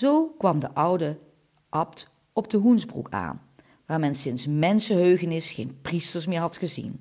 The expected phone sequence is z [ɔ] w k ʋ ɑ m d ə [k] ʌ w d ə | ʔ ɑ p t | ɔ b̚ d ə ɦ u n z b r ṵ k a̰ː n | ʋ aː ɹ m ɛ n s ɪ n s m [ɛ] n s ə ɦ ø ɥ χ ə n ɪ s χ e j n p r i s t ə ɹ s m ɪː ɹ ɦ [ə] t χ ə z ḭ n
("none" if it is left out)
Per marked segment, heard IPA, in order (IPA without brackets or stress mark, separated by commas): o, ʔ, ɛ, ɑ